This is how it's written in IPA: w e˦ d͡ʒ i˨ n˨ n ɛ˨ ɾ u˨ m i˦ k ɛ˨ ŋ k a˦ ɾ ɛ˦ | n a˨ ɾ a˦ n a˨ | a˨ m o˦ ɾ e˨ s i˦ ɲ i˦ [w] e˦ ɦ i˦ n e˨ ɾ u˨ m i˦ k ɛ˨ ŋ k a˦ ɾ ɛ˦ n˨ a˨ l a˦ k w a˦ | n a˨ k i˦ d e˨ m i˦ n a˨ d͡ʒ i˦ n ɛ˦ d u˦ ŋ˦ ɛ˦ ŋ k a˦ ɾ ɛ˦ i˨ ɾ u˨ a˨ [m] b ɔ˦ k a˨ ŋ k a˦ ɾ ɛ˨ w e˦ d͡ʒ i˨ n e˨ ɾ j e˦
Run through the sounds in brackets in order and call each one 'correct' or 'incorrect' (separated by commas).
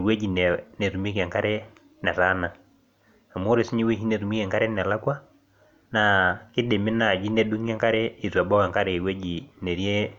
correct, incorrect